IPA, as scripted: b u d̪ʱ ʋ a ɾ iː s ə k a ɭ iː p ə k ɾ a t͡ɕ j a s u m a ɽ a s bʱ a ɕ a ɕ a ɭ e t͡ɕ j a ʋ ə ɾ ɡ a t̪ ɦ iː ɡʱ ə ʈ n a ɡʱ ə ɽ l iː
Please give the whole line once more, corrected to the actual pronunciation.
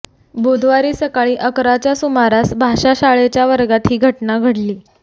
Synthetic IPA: b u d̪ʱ ʋ a ɾ iː s ə k a ɭ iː ʔ ə k ɾ a t͡ɕ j a s u m a ɾ a s bʱ a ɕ a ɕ a ɭ e t͡ɕ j a ʋ ə ɾ ɡ a t̪ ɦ iː ɡʱ ə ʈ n a ɡʱ ə ɽ l iː